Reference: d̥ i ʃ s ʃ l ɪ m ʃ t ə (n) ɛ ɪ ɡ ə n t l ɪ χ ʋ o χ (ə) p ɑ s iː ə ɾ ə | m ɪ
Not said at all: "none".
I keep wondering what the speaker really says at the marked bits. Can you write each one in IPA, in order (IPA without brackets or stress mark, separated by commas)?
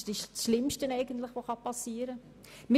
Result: n, ɑ